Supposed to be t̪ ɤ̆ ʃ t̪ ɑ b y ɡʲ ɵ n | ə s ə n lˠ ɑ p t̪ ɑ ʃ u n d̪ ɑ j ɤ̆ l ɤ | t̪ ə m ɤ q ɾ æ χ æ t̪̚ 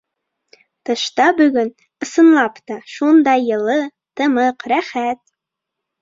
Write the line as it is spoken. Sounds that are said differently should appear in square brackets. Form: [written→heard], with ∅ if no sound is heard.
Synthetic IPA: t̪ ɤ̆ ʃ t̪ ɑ b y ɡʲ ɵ n | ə s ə n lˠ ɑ p t̪ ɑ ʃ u n d̪ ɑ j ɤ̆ l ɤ | t̪ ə m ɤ q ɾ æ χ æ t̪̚